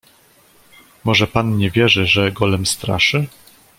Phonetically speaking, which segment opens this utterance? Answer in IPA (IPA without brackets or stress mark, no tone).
m